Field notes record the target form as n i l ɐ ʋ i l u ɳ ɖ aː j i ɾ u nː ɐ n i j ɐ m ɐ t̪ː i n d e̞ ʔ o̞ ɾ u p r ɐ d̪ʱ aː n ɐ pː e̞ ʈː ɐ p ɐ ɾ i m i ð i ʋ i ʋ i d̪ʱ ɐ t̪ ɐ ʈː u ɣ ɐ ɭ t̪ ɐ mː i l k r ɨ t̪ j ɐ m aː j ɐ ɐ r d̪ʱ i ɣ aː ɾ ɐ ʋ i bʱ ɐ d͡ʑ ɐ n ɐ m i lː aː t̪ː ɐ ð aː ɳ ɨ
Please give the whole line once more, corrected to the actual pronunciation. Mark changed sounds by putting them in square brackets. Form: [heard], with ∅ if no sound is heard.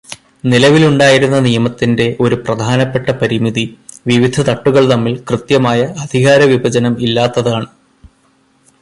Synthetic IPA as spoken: n i l ɐ ʋ i l u ɳ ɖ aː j i ɾ u nː ɐ n i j ɐ m ɐ t̪ː i n d e̞ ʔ o̞ ɾ u p r ɐ d̪ʱ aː n ɐ pː e̞ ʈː ɐ p ɐ ɾ i m i ð i ʋ i ʋ i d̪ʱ ɐ t̪ ɐ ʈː u ɣ ɐ ɭ t̪ ɐ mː i l k r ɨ t̪ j ɐ m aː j ɐ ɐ [∅] d̪ʱ i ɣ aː ɾ ɐ ʋ i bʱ ɐ d͡ʑ ɐ n ɐ m i lː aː t̪ː ɐ ð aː ɳ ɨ